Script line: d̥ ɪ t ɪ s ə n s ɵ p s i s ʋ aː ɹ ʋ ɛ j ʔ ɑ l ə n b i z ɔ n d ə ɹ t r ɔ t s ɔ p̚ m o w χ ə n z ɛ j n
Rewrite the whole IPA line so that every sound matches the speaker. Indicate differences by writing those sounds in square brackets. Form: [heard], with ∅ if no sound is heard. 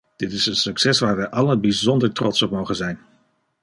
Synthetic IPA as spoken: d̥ ɪ t ɪ s ə n s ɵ [k] s [ɛ] s ʋ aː ɹ ʋ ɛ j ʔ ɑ l ə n b i z ɔ n d ə ɹ t r ɔ t s ɔ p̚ m o w χ ə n z ɛ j n